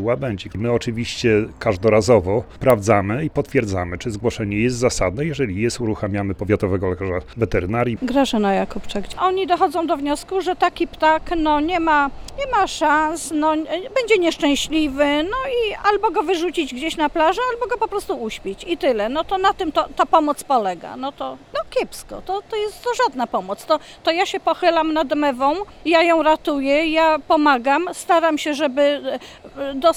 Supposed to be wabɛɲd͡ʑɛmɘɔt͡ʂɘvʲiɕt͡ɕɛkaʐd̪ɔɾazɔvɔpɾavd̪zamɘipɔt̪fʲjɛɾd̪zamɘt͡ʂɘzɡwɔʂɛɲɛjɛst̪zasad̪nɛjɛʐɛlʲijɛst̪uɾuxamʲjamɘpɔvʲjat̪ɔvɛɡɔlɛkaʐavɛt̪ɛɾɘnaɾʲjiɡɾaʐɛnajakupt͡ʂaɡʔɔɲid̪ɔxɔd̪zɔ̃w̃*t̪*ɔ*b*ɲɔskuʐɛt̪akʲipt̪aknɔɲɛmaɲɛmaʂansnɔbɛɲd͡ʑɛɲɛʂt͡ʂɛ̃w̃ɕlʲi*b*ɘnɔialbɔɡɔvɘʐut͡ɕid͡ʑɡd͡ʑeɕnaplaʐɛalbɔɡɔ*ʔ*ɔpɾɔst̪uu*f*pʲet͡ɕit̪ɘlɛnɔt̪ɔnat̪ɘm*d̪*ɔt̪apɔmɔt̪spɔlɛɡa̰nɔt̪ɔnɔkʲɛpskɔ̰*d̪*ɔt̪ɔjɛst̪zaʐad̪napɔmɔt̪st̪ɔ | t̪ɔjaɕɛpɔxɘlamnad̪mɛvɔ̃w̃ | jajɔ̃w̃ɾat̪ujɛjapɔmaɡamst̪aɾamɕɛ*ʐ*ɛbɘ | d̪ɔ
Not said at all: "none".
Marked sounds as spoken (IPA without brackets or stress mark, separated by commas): d̪, v, v, p, ɕ, t̪, t̪, ʐ